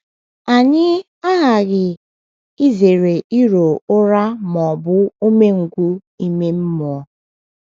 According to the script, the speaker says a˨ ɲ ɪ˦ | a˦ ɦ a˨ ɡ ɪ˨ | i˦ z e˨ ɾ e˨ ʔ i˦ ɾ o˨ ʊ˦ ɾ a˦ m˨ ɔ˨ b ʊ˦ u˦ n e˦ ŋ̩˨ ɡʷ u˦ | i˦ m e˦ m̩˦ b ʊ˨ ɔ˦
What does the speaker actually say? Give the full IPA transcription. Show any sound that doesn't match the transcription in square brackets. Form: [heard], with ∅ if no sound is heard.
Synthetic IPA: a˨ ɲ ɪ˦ | a˦ ɦ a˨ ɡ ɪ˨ | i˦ z e˨ ɾ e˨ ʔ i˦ ɾ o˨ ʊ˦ ɾ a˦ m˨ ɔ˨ b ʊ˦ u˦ [m] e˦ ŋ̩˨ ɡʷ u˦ | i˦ m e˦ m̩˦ [m] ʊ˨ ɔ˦